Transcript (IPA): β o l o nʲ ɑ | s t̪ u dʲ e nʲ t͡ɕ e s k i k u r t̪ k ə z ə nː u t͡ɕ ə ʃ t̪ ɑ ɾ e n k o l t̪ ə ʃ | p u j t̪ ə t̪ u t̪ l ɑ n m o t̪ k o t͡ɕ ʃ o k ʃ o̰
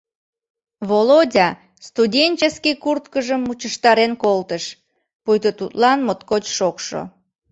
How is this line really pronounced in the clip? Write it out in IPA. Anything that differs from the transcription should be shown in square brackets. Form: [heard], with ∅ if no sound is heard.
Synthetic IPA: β o l o [dʲ] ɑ | s t̪ u dʲ e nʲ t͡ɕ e s k i k u r t̪ k ə [ʒ] ə [mː] u t͡ɕ ə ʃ t̪ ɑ ɾ e n k o l t̪ ə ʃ | p u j t̪ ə t̪ u t̪ l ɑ n m o t̪ k o t͡ɕ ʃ o k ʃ o̰

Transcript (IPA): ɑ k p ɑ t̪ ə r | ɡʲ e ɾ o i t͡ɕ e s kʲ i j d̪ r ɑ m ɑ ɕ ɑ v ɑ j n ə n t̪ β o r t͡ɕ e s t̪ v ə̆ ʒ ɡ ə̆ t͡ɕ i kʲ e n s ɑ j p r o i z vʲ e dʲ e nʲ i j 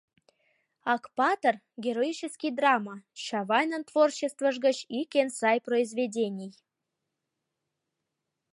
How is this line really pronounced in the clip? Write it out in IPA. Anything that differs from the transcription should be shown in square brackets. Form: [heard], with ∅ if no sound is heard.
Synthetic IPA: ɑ k p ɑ t̪ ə r | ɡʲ e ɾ o i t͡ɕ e s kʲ i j d̪ r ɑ m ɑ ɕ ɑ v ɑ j n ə n t̪ [v] o r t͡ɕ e s t̪ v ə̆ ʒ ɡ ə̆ t͡ɕ i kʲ e n s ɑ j p r o i z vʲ e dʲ e nʲ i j

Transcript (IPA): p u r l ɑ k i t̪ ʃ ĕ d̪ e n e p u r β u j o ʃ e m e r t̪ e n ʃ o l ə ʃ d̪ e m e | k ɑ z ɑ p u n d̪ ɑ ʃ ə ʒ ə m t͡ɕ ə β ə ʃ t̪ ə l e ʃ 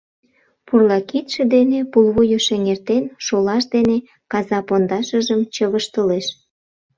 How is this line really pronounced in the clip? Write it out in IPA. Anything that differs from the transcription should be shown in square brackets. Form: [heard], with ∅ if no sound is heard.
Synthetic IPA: p u r l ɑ k i t̪ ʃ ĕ d̪ e n e p u [l] β u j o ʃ e [ŋ] e r t̪ e n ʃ o l [ɑ] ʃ d̪ e [n] e | k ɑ z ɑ p [o] n d̪ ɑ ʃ ə ʒ ə m t͡ɕ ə β ə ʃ t̪ ə l e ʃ

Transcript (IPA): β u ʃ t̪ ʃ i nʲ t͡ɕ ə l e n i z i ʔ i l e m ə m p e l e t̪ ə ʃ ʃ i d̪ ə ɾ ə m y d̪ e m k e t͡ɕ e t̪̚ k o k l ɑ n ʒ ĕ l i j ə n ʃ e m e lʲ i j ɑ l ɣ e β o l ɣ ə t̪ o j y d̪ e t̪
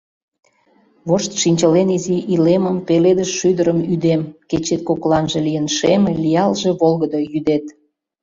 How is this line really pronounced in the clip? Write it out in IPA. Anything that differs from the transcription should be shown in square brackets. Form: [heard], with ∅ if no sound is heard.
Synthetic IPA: β [o] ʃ t̪ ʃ i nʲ t͡ɕ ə l e n i z i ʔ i l e m ə m p e l e [d̪] ə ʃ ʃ [y] d̪ ə ɾ ə m y d̪ e m k e t͡ɕ e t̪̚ k o k l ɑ n ʒ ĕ l i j ə n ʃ e m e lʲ i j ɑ l [ʒ] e β o l ɣ ə [d̪] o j y d̪ e t̪

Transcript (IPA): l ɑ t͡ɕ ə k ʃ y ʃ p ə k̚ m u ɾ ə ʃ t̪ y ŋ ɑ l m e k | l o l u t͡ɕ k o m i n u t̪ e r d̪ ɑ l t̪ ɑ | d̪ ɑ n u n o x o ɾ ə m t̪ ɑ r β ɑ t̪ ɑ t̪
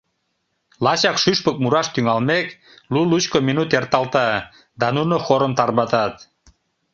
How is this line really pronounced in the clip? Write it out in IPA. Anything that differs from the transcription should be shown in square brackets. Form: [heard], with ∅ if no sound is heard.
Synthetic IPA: l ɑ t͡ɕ [ɑ] k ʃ y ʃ p ə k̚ m u ɾ [ɑ] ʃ t̪ y ŋ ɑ l m e k | l [u] l u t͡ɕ k o m i n u t̪ e r [t̪] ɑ l t̪ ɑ | d̪ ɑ n u n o x o ɾ ə m t̪ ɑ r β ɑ t̪ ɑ t̪

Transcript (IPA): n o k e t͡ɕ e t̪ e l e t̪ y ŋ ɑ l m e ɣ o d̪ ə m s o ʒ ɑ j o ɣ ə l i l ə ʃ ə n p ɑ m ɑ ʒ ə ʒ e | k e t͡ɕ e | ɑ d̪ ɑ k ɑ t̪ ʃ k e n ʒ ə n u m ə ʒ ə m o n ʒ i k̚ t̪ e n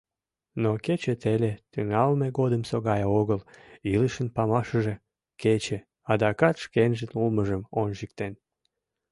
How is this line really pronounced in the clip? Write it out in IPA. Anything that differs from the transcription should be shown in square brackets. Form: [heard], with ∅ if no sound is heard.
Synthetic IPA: n o k e t͡ɕ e t̪ e l e t̪ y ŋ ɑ l m e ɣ o d̪ ə m s o [ɣ] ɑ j o ɣ ə l i l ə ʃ ə n p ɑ m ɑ [ʃ] ə ʒ e | k e t͡ɕ e | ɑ d̪ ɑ k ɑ t̪ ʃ k e n ʒ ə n u m ə ʒ ə m o n ʒ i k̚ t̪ e n

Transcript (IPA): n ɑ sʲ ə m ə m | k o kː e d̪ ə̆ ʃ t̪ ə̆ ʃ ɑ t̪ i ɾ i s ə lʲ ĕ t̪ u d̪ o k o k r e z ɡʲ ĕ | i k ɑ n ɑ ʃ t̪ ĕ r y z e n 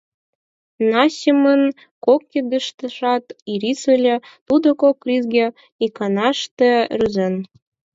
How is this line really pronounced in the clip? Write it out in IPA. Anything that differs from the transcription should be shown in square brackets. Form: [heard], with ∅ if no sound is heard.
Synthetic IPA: n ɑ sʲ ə m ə [n] | k o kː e d̪ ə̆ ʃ t̪ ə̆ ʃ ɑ t̪ i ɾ i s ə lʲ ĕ t̪ u d̪ o k o k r [i] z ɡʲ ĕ | i k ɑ n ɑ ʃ t̪ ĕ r y z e n

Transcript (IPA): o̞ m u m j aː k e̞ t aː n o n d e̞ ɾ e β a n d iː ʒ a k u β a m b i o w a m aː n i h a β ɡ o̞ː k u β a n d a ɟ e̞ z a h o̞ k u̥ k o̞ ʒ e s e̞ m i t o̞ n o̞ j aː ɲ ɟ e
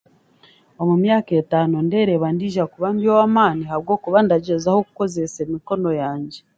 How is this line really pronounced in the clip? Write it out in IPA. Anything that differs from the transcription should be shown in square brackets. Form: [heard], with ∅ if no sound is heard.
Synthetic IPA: o̞ m u m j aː k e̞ t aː n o n d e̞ ɾ e β a n d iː ʒ a k u β a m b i o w a m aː n i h a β ɡ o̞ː k u β a n d a ɟ e̞ z a h o̞ k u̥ k o̞ [z] e s e̞ m i [k] o̞ n o̞ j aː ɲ ɟ e

